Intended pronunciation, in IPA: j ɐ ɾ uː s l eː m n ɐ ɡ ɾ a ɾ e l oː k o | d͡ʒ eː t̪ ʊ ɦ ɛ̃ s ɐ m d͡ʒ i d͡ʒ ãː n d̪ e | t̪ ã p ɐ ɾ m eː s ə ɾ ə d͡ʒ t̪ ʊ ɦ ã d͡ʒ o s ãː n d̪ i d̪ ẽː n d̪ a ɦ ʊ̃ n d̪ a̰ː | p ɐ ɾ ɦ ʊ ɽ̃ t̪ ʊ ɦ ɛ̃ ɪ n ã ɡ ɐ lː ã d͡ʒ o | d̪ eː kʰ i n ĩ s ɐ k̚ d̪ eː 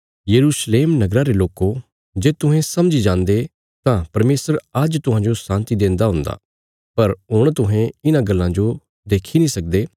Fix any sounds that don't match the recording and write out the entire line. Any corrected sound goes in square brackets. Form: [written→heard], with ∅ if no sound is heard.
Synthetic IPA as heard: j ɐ ɾ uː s l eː m n ɐ ɡ ɾ a ɾ e l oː k o | d͡ʒ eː t̪ ʊ ɦ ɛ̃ s ɐ m d͡ʒ i d͡ʒ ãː n d̪ e | t̪ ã p ɐ ɾ m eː s ə ɾ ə d͡ʒ t̪ ʊ ɦ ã d͡ʒ o s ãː n [d̪→t̪] i d̪ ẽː n d̪ a ɦ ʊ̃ n d̪ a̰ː | p ɐ ɾ ɦ ʊ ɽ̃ t̪ ʊ ɦ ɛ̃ ɪ n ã ɡ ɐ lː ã d͡ʒ o | d̪ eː kʰ i n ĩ s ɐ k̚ d̪ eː